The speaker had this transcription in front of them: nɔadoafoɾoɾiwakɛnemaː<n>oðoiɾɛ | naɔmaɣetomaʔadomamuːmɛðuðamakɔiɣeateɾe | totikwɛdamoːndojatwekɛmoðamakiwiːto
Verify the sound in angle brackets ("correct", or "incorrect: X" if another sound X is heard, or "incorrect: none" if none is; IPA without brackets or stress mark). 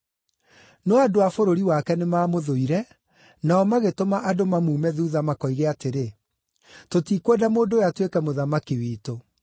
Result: incorrect: m